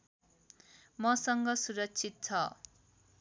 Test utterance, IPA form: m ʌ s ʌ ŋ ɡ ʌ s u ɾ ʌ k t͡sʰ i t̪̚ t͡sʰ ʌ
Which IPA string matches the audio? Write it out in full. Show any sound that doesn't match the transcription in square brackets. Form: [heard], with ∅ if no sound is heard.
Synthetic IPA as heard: m ʌ s ʌ ŋ ɡ ʌ s u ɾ ʌ k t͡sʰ i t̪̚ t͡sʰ ʌ